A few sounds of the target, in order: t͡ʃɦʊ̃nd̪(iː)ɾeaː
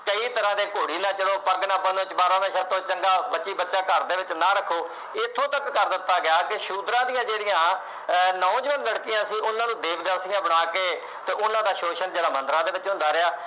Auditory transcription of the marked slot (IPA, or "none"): aː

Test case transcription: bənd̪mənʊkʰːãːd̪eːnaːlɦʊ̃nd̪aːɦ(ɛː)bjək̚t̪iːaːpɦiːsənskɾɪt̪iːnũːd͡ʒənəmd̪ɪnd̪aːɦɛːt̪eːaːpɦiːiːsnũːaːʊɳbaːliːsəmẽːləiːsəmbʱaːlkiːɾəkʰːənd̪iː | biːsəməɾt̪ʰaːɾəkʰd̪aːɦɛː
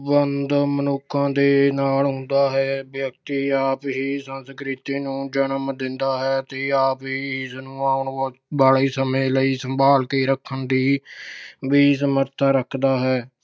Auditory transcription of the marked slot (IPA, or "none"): ɛː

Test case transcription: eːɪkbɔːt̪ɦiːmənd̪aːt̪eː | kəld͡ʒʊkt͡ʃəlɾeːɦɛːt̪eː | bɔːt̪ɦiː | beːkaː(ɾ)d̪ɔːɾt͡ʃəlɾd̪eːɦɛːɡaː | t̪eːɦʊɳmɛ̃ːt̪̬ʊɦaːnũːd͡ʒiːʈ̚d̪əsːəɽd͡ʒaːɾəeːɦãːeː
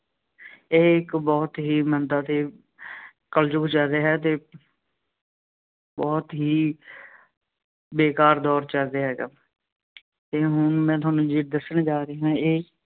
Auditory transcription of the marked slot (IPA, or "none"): ɾ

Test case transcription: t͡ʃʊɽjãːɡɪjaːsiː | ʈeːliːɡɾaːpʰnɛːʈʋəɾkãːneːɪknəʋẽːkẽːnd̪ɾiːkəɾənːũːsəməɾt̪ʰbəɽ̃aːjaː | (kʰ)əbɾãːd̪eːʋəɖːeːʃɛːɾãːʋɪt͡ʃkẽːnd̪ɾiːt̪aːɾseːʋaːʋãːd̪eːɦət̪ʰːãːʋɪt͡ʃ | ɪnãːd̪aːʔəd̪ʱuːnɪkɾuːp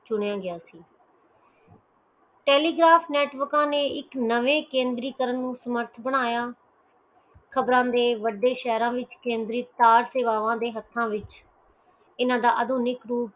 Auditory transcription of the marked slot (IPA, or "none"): kʰ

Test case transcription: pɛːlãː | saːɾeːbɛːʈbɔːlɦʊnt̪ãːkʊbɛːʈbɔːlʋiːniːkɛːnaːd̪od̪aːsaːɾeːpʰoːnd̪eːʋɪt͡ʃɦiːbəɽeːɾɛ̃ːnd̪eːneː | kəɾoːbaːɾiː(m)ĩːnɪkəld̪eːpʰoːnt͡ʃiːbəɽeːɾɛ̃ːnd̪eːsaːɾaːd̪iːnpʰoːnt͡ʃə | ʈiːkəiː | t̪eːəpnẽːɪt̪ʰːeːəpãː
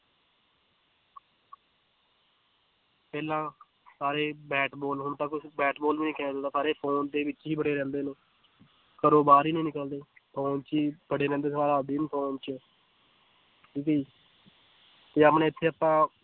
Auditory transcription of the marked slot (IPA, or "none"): n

